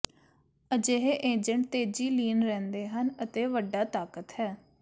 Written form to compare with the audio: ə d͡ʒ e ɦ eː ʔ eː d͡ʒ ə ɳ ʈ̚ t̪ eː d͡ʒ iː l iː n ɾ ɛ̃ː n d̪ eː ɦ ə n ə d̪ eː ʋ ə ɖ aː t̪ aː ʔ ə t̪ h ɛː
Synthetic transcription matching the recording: ə d͡ʒ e ɦ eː ʔ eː d͡ʒ ə ɳ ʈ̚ t̪ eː d͡ʒ iː l iː n ɾ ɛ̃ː n d̪ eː ɦ ə n ə t̪ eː ʋ ə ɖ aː t̪ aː k ə t̪ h ɛː